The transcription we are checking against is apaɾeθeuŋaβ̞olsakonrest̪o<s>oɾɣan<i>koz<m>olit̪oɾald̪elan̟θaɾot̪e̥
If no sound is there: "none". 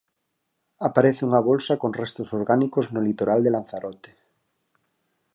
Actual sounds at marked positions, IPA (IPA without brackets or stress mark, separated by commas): s, i, n